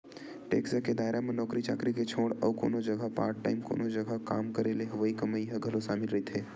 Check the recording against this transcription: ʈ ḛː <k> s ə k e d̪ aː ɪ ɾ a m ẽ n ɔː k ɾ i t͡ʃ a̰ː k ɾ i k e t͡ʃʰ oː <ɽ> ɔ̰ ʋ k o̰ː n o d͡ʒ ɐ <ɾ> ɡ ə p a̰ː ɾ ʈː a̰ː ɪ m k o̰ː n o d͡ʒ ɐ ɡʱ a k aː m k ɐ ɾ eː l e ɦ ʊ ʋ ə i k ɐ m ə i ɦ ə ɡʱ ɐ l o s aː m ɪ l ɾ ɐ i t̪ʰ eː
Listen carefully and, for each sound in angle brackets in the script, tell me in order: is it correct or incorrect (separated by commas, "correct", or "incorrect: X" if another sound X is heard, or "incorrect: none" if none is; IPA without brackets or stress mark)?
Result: correct, correct, incorrect: none